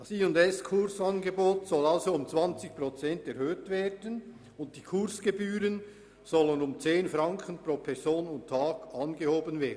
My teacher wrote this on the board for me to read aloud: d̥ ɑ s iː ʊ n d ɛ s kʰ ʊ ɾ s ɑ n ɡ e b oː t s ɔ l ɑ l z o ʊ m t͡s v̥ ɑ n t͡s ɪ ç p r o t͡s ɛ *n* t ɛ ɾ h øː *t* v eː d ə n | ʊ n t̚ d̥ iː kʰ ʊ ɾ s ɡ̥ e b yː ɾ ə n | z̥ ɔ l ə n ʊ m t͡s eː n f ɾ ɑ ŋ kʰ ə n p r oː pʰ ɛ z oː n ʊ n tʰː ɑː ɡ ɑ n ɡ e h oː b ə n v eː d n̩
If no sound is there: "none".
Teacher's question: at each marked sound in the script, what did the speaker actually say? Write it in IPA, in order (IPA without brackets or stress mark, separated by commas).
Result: n, t